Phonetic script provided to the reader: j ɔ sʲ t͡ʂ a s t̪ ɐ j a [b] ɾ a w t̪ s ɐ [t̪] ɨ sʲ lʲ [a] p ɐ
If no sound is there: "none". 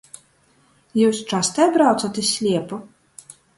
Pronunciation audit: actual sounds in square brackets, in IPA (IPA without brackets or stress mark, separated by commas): b, t̪, ɛ